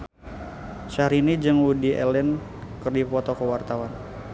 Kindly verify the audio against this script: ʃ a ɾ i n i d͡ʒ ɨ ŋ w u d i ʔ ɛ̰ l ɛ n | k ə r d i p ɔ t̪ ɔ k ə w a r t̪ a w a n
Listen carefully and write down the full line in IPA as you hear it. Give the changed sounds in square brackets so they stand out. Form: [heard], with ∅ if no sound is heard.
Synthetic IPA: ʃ a ɾ i n i d͡ʒ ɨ ŋ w u d i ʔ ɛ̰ l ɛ n | k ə r d i p ɔ t̪ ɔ k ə w a r t̪ a w a n